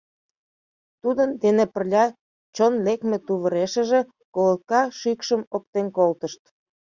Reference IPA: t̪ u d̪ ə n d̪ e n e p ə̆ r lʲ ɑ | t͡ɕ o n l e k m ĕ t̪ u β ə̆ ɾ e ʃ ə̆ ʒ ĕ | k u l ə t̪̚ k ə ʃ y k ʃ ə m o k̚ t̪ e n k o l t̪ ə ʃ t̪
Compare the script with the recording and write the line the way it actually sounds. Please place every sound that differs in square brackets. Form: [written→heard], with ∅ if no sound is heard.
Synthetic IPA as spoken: t̪ u d̪ ə n d̪ e n e p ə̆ r lʲ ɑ | t͡ɕ o n l e k m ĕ t̪ u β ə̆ ɾ e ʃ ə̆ ʒ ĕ | k [u→o] l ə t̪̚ k [ə→ɑ] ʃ y k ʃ ə m o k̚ t̪ e n k o l t̪ ə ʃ t̪